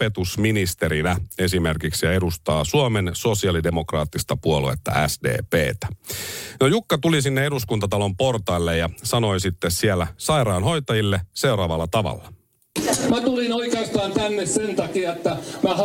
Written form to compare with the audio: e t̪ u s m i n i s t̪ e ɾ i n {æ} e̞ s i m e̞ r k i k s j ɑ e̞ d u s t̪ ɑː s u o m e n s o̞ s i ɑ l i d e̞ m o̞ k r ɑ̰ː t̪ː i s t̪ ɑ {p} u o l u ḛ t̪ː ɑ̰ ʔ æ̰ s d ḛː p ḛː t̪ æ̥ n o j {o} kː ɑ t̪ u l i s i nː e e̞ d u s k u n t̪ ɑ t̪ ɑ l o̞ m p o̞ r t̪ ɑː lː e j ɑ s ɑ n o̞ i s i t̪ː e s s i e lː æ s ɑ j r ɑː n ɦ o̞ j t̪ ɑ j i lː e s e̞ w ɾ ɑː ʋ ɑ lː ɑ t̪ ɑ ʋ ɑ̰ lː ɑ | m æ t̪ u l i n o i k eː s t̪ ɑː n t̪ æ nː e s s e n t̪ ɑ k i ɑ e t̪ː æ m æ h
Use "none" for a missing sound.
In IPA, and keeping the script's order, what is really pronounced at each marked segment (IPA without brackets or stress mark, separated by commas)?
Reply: æ, p, u